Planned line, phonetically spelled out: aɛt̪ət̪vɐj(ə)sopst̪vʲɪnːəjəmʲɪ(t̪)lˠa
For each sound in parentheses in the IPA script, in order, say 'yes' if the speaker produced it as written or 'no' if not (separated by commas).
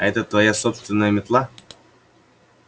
no, yes